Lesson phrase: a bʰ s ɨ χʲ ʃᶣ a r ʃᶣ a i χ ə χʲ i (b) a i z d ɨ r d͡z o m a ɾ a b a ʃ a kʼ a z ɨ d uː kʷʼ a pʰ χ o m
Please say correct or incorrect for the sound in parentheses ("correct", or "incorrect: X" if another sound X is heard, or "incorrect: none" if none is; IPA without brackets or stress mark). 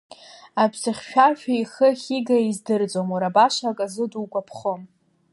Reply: incorrect: ɡ